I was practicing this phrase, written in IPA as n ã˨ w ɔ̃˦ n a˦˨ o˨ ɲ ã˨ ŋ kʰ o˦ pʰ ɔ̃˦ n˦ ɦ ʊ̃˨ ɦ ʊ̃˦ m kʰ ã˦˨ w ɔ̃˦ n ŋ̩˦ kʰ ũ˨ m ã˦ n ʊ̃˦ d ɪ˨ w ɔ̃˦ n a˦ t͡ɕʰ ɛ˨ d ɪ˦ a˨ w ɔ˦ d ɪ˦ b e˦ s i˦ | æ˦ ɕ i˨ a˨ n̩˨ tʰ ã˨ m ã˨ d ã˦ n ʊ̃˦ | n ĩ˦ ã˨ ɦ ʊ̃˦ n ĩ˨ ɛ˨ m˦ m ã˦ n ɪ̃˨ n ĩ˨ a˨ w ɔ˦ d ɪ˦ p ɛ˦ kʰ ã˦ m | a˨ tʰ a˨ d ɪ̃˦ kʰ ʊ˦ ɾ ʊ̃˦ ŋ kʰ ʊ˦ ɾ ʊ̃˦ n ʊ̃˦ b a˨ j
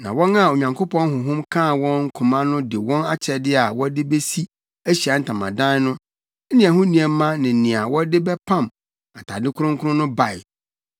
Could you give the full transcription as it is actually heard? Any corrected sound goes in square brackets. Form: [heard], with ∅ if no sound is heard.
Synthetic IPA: n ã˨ w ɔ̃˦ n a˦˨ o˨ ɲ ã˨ ŋ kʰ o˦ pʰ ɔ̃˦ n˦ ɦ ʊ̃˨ ɦ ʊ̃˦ m kʰ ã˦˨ w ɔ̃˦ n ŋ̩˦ kʰ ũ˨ m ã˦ n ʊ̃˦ d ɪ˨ w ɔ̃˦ n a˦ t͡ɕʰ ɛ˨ d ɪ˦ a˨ w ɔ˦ d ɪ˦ b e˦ s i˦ | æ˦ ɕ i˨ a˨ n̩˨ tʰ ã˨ m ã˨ d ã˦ n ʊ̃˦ | n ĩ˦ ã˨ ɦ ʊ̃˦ n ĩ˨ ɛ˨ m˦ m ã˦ n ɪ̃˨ n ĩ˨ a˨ w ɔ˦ d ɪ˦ [b] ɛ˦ [pʰ] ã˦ m | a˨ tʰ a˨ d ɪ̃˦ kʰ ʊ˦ ɾ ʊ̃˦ ŋ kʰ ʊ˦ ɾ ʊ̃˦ n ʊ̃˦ b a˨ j